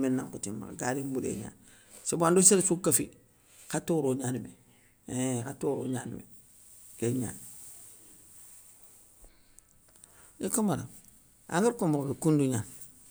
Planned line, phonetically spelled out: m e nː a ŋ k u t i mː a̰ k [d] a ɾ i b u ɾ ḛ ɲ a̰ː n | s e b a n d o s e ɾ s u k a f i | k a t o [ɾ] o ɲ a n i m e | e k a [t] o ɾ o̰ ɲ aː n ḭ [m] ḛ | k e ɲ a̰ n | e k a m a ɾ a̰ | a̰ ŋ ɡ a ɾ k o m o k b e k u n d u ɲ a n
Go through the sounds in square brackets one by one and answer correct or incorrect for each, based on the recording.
incorrect: ɡ, correct, correct, correct

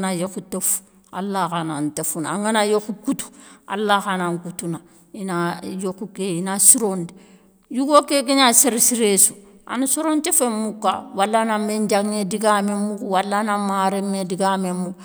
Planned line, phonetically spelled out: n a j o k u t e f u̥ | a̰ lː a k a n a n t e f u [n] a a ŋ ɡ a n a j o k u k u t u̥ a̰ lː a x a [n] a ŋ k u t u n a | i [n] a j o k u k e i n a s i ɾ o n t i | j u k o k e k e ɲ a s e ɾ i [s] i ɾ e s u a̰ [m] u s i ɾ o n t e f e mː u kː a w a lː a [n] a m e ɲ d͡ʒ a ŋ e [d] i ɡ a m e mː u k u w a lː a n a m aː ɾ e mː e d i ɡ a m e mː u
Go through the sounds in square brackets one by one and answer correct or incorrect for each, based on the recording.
correct, correct, correct, correct, incorrect: n, correct, correct

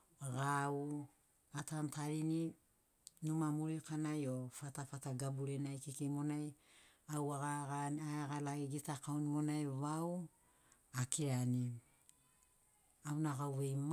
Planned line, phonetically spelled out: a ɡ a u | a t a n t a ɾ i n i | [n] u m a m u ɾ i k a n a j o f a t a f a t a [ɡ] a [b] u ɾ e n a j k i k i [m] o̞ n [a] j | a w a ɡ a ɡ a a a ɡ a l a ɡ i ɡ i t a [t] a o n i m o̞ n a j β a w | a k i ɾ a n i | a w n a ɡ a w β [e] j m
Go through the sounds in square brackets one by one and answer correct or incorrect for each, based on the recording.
correct, correct, correct, correct, correct, incorrect: k, correct

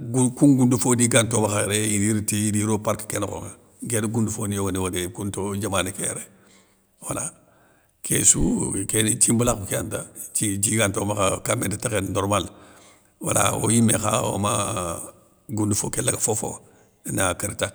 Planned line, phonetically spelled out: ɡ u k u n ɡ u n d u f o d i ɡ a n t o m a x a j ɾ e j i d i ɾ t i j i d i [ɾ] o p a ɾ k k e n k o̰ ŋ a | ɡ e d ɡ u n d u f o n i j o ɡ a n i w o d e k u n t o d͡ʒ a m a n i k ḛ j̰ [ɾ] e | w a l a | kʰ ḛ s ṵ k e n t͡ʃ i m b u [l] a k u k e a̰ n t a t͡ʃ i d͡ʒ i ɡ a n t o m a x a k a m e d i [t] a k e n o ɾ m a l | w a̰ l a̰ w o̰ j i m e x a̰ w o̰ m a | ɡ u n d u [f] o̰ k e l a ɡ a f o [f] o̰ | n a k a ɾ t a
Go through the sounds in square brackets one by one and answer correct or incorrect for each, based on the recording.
correct, correct, correct, correct, correct, correct

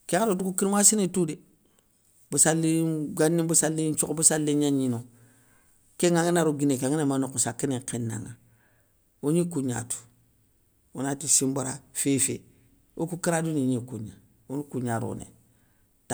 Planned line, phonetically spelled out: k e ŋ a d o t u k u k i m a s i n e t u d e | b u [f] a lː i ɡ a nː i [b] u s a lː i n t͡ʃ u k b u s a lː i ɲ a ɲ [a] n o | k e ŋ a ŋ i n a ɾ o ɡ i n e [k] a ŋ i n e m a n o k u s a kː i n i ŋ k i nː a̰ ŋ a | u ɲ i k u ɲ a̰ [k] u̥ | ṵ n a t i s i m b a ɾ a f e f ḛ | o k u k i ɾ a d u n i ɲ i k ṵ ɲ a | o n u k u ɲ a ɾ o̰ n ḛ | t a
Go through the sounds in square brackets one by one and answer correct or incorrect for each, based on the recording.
incorrect: s, correct, incorrect: i, correct, incorrect: t

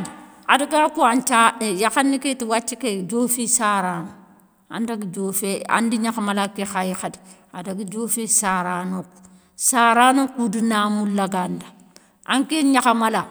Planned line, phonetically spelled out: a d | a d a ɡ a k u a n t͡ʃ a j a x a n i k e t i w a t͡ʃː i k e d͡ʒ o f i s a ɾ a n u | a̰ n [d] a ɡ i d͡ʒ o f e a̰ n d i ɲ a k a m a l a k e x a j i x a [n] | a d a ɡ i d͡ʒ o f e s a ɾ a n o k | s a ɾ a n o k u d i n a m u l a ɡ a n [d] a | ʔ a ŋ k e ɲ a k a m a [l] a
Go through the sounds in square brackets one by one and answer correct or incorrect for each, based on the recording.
correct, incorrect: d, correct, correct

